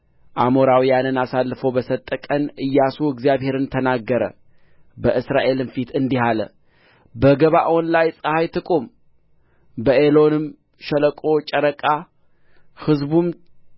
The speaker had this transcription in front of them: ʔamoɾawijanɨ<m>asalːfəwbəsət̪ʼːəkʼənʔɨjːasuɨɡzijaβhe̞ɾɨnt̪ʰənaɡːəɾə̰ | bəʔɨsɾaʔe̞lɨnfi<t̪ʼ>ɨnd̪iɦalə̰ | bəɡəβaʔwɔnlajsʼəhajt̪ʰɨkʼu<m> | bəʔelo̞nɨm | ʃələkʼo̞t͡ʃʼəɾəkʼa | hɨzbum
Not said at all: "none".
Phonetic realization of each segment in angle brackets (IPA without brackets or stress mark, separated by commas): n, t̪, m